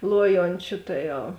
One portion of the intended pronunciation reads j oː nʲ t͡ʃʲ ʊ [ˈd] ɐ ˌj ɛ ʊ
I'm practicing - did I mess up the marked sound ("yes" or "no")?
yes